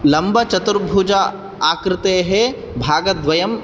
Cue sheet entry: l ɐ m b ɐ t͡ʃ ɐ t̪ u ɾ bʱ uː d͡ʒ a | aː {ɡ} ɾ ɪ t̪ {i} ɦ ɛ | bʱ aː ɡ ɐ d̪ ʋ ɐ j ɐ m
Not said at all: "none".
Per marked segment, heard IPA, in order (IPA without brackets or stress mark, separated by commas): k, e